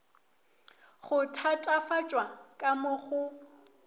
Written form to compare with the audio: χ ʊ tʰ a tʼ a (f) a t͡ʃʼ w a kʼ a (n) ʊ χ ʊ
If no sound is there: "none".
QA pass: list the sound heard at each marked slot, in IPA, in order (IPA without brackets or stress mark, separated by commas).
f, m